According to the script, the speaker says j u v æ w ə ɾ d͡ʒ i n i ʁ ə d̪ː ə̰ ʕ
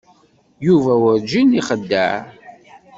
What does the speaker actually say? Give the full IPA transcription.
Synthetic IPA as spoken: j u v æ w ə ɾ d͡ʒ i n i χ ə d̪ː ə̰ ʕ